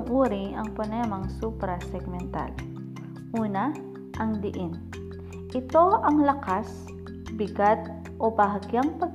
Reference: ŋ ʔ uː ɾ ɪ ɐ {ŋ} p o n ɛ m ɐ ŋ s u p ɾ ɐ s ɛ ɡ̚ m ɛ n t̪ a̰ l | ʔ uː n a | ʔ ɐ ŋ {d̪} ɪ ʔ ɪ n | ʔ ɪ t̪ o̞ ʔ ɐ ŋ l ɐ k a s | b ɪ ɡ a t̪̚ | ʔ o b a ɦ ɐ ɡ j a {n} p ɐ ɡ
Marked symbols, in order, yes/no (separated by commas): yes, yes, no